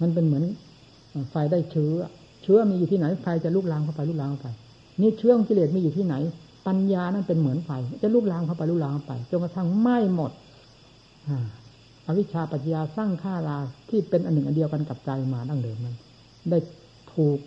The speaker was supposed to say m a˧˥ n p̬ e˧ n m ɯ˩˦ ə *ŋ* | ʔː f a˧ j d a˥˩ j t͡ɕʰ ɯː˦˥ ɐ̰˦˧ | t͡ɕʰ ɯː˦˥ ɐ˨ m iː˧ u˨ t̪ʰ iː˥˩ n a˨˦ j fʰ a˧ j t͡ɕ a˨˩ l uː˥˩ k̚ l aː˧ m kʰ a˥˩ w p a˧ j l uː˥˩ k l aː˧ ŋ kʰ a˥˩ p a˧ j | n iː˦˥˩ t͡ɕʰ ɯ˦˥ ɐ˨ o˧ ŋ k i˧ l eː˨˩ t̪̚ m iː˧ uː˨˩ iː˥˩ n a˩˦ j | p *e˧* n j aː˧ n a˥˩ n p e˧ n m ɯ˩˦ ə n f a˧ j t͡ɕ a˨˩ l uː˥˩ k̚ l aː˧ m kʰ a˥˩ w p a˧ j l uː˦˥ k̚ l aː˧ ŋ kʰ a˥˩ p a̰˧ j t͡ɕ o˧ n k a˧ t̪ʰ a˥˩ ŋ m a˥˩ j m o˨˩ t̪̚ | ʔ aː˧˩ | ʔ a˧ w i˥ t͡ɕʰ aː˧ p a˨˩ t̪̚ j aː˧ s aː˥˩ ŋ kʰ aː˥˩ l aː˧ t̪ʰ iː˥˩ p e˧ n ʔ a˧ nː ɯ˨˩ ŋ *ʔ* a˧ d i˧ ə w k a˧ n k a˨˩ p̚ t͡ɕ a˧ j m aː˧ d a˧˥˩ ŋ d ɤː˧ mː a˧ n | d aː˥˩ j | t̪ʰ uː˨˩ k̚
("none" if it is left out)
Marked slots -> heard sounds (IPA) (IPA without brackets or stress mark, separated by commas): n, a˧, ʔ